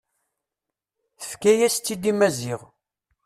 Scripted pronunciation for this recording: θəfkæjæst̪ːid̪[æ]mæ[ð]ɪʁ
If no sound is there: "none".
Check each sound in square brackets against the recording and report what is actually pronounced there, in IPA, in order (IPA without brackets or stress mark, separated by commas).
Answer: i, z